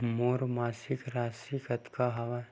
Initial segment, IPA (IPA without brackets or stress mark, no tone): m